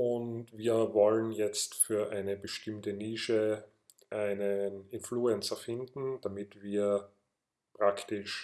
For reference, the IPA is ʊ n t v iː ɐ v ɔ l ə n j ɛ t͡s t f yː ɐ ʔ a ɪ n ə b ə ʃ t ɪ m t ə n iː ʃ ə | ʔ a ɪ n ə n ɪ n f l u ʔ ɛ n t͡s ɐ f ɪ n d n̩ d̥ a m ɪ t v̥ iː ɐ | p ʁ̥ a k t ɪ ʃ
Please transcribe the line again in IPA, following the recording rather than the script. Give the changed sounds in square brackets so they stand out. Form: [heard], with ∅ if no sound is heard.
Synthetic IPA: ʊ n t v iː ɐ v ɔ l ə n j ɛ t͡s t f yː ɐ ʔ a ɪ n ə b ə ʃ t ɪ m t ə n iː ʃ ə | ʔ a ɪ n ə n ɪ n f l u [∅] ɛ n t͡s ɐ f ɪ n d n̩ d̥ a m ɪ t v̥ iː ɐ | p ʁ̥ a k t ɪ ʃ